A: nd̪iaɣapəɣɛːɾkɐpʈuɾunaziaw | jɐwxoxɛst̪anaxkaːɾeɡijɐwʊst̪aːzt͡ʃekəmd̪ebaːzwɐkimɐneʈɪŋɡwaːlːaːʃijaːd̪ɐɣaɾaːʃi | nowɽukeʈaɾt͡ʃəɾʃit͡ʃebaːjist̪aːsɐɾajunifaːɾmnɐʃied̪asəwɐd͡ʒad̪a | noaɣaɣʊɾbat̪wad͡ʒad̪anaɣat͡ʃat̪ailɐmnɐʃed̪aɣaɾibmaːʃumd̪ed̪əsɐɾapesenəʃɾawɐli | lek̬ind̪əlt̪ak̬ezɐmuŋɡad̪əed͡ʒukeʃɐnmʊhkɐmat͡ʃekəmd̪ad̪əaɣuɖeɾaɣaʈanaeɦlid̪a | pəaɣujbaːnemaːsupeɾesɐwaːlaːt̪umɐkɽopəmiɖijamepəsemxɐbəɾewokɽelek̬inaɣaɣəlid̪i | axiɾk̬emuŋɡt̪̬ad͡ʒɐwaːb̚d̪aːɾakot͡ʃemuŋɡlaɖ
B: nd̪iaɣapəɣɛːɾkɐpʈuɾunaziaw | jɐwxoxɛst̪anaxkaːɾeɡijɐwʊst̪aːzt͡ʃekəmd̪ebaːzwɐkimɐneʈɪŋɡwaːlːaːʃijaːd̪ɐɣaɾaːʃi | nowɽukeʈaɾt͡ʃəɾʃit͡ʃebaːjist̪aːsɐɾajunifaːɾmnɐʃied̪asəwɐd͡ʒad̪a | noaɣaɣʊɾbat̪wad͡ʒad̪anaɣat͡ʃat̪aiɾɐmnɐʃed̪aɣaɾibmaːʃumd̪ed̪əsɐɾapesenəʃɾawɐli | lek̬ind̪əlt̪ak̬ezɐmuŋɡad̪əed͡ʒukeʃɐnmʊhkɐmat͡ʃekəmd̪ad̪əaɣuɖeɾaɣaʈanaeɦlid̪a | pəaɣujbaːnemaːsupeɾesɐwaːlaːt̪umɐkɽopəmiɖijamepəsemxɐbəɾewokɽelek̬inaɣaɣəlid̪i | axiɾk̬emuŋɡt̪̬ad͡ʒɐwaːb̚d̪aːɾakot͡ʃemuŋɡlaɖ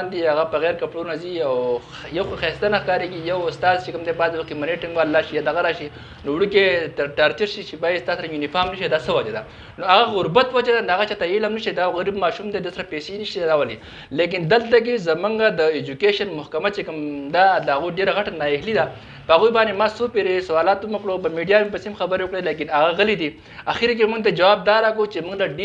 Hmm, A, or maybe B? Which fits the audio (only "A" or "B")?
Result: A